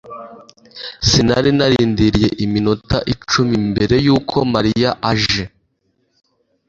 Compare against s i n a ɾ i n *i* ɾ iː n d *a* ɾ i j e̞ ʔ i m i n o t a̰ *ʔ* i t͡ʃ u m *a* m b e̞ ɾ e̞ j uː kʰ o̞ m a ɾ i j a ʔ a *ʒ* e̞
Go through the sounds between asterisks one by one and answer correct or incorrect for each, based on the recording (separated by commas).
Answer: incorrect, incorrect, correct, incorrect, correct